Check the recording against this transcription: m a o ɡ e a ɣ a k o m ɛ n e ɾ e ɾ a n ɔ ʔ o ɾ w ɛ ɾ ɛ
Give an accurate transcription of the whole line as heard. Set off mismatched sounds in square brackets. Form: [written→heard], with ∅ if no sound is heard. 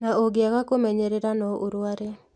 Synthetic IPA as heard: [m→n] a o ɡ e a ɣ a k o m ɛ [n→ɲ] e ɾ e ɾ a n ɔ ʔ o ɾ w [ɛ→a] ɾ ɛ